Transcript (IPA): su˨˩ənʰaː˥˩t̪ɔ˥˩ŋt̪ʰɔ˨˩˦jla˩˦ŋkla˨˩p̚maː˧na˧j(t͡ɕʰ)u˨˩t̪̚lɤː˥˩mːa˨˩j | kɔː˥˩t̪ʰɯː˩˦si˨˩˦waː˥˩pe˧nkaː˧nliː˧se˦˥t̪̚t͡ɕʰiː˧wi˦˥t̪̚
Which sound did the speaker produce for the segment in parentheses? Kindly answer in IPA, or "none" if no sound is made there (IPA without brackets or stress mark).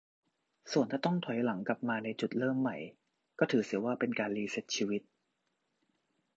t͡ɕ